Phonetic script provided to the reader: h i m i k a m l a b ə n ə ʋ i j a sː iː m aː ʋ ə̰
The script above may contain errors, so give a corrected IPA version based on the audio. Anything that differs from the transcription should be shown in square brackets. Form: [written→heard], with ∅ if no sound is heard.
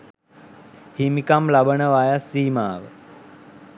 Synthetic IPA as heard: h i m i k a m l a b ə n ə ʋ [i→a] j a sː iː m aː ʋ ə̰